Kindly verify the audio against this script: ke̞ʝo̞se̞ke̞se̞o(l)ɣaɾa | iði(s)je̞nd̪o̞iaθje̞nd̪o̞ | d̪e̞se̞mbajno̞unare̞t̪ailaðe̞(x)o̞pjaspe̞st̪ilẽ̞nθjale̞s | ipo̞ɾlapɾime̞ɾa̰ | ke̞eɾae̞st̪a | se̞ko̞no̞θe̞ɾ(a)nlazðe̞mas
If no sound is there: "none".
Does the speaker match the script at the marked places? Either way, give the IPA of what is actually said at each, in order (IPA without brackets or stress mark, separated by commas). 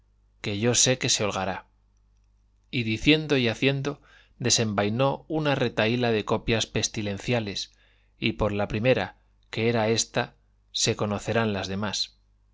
l, θ, k, a